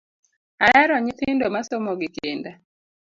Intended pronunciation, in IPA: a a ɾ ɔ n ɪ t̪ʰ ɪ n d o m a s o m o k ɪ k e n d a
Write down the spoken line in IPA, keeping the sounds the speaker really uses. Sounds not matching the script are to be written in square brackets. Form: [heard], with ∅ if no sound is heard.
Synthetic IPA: a [ɛ] ɾ ɔ [ɲ] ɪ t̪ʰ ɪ n d o m a s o m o [ɡ] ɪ k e n d a

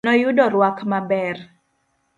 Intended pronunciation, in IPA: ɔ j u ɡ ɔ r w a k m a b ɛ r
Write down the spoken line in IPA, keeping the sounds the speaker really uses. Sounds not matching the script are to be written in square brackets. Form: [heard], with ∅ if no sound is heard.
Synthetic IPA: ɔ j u [d] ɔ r w a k m a b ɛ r

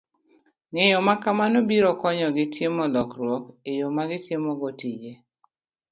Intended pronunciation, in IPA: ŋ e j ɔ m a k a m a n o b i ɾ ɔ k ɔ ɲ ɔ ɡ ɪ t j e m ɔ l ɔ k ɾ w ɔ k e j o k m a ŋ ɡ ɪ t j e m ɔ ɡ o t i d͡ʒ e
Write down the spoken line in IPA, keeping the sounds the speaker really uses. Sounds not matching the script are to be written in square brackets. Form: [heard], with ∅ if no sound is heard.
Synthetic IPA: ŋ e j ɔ m a k a m a n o b i ɾ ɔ k ɔ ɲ ɔ ɡ ɪ t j e m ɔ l ɔ k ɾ w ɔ k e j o [∅] m a [∅] ɡ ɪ t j e m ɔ ɡ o t i d͡ʒ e

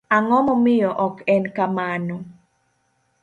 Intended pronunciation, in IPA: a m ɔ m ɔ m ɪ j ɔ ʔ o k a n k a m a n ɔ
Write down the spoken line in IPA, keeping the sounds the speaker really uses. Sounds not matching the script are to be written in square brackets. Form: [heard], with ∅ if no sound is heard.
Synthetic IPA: a [ŋ] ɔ m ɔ m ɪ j ɔ ʔ [ɔ] k [ɛ] n k a m a n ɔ

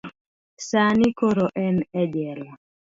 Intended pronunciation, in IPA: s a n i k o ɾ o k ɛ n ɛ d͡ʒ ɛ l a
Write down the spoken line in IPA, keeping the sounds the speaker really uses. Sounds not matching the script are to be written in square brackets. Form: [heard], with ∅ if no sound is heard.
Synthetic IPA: s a n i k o ɾ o [ʔ] ɛ n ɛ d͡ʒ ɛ l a

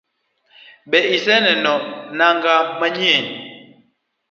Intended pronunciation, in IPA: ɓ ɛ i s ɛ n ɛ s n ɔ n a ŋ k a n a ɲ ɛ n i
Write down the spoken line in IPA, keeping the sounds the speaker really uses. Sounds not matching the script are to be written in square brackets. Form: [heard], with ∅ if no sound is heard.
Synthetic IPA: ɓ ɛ i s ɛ n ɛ [∅] n ɔ n a ŋ [ɡ] a [m] a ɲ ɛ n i

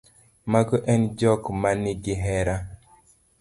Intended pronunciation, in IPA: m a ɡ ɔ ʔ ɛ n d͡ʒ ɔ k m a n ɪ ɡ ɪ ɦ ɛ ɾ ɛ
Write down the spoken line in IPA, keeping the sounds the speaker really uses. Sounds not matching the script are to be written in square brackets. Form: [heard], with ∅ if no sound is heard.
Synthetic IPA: m a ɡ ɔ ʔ ɛ n d͡ʒ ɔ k m a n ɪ ɡ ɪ ɦ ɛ ɾ [a]

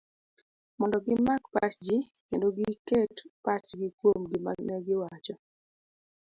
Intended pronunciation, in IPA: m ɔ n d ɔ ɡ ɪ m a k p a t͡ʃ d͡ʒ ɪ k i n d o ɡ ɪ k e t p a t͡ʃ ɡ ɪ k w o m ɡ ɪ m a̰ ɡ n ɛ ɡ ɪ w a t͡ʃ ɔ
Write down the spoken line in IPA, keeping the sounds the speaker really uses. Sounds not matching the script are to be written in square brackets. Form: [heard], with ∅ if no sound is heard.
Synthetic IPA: m ɔ n d ɔ ɡ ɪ m a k p a t͡ʃ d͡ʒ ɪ k [e] n d o ɡ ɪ k e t p a t͡ʃ ɡ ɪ k w o m ɡ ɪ m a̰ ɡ n ɛ ɡ ɪ w a t͡ʃ ɔ

